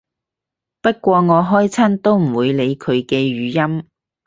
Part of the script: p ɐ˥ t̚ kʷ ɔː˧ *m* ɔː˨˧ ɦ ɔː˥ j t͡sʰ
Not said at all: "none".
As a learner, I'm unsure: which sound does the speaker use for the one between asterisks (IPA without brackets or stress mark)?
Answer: ŋ